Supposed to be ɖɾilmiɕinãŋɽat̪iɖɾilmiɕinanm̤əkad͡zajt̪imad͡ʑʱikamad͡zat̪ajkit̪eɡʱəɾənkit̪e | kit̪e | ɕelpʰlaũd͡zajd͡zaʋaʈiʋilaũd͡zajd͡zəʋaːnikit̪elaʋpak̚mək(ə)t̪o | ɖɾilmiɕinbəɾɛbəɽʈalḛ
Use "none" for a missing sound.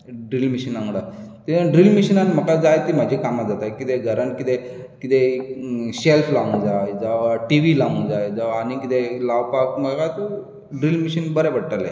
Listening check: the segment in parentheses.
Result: a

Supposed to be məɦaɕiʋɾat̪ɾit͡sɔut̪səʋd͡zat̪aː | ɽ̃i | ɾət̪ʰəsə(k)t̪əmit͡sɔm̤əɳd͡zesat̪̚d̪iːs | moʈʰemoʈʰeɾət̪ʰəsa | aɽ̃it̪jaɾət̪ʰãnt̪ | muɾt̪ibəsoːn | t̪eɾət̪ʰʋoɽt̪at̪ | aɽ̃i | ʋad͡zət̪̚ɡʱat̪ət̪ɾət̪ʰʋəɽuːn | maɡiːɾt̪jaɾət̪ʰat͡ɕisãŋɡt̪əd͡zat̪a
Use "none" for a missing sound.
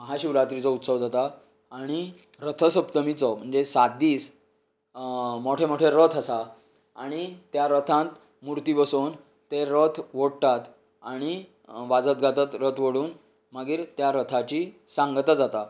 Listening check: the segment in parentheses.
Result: p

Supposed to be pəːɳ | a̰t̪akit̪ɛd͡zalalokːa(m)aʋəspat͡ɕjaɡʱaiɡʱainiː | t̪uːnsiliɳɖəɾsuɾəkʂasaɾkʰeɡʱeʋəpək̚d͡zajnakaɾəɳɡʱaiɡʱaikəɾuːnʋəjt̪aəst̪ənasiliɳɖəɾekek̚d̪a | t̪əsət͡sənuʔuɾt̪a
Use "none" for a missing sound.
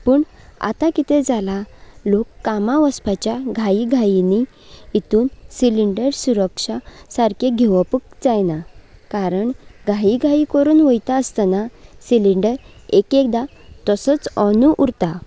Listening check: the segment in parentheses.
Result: m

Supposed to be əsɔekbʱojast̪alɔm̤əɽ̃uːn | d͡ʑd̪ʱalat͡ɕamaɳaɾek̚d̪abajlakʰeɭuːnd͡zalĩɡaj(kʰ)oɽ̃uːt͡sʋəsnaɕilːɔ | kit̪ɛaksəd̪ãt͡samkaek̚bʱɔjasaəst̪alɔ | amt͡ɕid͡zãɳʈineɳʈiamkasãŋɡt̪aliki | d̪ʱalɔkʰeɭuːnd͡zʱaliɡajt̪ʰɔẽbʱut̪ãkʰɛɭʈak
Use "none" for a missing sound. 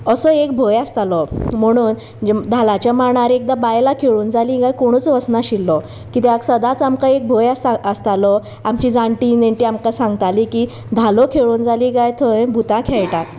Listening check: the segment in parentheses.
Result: k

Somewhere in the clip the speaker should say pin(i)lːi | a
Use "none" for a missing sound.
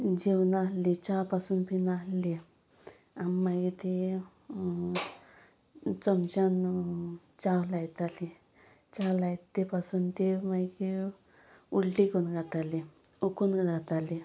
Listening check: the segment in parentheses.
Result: a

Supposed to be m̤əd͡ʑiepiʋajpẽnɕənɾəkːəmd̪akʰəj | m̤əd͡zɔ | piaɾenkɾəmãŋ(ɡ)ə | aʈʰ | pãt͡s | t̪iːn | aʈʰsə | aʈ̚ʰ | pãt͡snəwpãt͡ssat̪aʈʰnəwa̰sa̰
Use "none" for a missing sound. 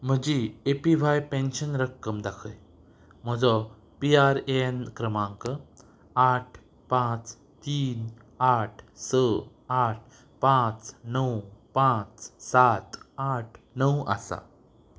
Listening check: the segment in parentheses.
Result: k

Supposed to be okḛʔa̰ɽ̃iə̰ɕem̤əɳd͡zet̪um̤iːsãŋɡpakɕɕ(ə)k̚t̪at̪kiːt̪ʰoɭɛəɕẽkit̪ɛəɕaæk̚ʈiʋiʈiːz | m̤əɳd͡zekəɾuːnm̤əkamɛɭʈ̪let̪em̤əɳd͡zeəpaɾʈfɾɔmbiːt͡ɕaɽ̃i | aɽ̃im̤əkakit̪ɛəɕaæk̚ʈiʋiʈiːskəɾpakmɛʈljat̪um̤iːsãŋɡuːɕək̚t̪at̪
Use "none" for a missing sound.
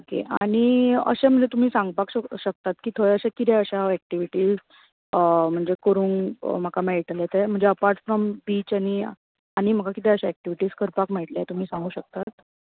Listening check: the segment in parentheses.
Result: ə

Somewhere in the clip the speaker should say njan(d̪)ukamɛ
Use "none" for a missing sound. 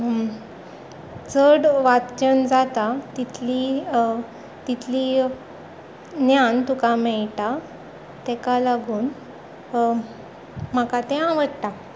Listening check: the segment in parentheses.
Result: t̪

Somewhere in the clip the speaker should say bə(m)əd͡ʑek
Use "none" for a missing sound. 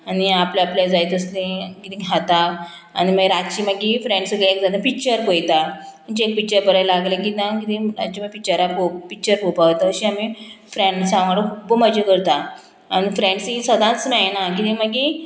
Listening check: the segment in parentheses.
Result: m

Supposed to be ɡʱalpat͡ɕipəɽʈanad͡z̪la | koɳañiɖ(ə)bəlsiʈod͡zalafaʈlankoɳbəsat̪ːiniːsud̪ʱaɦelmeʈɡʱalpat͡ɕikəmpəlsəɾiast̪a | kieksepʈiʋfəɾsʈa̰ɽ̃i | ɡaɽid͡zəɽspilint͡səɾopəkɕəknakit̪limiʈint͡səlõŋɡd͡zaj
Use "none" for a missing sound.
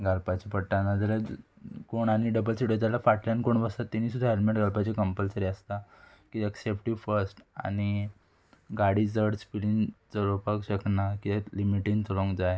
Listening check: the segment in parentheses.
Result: ə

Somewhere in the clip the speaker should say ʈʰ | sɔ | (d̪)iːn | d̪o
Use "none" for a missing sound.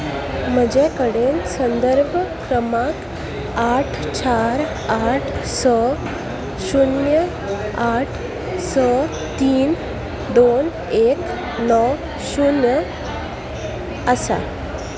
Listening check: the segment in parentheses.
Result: t̪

